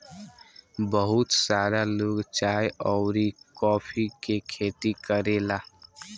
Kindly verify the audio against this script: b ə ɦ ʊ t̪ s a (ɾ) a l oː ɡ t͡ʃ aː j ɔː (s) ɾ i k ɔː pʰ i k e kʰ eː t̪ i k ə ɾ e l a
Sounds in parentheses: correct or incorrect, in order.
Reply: correct, incorrect: none

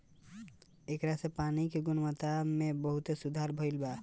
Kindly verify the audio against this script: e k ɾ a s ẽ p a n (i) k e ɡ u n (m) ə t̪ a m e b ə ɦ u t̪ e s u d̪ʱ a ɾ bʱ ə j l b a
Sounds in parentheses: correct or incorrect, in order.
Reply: correct, correct

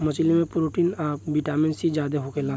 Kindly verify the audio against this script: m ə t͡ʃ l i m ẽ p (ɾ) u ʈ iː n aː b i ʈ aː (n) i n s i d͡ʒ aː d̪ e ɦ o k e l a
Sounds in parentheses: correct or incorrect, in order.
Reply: correct, incorrect: m

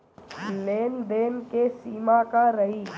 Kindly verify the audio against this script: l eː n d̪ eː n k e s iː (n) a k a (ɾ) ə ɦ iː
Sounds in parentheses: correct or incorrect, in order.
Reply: incorrect: m, correct

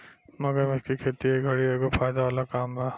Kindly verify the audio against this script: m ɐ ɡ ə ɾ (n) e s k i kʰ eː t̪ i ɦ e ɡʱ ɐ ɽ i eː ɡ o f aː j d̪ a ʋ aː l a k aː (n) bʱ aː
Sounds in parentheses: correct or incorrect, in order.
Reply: incorrect: m, incorrect: m

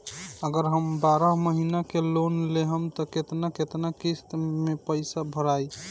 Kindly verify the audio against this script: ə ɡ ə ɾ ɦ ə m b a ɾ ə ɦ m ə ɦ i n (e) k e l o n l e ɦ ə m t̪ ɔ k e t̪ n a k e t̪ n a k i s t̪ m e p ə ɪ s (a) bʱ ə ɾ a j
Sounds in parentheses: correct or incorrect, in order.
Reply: incorrect: a, correct

